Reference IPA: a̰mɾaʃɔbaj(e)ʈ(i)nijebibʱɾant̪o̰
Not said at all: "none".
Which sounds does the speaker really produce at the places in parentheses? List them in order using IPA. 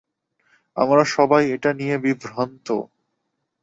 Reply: e, a

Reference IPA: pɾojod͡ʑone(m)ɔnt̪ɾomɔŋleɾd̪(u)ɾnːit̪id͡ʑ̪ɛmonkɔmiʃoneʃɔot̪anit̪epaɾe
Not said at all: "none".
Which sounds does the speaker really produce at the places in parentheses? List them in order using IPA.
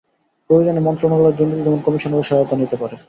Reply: m, u

